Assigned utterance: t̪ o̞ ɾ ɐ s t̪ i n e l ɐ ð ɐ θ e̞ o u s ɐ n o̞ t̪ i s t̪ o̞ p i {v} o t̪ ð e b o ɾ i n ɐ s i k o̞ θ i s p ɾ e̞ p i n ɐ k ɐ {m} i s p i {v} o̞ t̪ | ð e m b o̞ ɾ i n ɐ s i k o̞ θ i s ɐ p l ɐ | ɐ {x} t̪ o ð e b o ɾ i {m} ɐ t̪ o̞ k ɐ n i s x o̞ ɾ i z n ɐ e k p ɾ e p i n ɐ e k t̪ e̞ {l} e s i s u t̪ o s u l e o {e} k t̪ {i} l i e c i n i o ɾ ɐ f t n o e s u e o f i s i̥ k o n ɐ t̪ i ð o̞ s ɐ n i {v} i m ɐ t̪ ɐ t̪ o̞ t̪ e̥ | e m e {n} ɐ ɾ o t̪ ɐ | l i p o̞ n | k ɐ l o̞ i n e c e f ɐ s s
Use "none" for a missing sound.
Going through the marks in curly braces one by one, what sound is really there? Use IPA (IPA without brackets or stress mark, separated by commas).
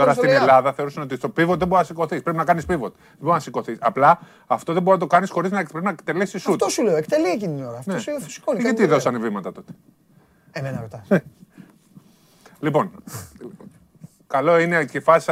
v, n, v, f, n, l, e, e, v, n